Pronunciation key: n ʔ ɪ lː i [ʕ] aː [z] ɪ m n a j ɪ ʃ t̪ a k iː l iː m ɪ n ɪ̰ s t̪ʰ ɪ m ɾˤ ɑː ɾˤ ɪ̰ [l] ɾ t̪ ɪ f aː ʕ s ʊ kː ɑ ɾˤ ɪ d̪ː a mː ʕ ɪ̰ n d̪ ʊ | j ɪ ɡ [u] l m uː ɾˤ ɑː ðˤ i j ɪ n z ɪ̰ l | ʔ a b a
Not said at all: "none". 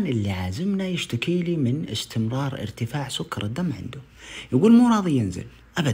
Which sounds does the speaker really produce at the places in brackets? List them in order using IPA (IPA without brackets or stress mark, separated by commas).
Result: ʕ, z, none, uː